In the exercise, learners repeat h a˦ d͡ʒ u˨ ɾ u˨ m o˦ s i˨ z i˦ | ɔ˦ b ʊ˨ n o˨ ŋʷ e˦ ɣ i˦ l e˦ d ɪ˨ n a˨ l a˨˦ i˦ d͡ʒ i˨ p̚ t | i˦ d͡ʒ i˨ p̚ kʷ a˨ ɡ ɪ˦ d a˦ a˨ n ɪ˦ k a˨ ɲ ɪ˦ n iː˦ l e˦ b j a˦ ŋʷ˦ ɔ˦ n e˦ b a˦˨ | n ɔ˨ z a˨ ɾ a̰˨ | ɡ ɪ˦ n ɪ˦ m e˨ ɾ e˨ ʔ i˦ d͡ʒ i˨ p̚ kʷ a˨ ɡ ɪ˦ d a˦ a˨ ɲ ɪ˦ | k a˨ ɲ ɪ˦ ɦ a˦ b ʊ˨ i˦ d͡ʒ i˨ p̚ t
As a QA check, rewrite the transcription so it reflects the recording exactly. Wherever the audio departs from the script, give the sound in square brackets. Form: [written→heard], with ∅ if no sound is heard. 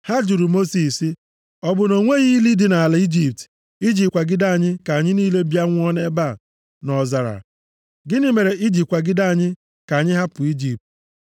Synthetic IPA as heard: h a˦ d͡ʒ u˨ ɾ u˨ m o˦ s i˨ [z→s] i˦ | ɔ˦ b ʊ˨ n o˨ ŋʷ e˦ ɣ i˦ l [e˦→i˦] d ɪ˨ n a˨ l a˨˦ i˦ d͡ʒ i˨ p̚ t | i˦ d͡ʒ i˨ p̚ kʷ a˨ ɡ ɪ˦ d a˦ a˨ [n→ɲ] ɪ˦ k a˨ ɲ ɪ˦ n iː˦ l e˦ b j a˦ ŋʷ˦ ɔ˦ n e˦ b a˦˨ | n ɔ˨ z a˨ ɾ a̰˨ | ɡ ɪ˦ n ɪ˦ m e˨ ɾ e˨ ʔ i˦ d͡ʒ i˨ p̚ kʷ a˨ ɡ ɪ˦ d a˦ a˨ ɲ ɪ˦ | k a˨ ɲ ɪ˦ ɦ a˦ [b→p] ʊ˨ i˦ d͡ʒ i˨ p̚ t